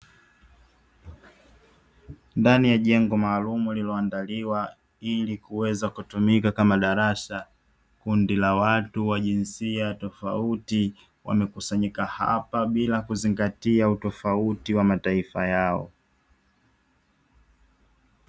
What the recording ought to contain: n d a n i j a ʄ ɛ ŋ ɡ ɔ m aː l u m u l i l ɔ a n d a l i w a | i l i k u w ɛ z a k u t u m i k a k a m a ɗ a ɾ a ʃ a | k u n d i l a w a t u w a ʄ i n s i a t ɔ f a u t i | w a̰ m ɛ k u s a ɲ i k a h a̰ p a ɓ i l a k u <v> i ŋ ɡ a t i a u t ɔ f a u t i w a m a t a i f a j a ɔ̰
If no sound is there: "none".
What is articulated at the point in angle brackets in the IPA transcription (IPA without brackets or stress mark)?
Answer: z